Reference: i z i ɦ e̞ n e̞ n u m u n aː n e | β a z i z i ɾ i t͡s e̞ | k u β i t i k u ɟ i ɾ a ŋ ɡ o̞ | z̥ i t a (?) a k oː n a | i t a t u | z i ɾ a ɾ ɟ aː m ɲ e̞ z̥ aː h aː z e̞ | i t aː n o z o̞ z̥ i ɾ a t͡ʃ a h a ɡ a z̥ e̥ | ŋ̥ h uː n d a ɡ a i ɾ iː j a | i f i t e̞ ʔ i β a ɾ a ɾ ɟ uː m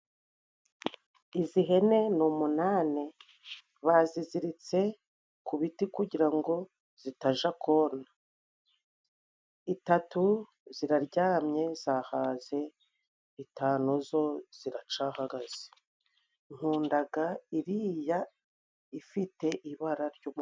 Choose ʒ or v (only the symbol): ʒ